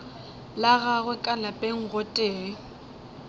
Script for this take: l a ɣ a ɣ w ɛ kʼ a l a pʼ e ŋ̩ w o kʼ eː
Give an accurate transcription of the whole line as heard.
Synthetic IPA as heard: l a ɣ a ɣ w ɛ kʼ a l a pʼ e ŋ̩ ɣ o tʼ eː